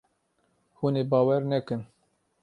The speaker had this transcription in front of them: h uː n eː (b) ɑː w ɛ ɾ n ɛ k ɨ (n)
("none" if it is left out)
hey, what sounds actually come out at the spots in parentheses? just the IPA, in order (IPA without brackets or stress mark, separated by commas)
b, n